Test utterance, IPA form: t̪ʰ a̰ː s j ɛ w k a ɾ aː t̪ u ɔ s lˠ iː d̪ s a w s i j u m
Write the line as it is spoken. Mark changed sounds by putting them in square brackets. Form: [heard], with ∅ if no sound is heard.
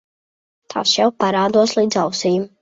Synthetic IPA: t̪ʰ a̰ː s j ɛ w [p] a ɾ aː [d̪] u ɔ s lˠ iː d̪ [z] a w s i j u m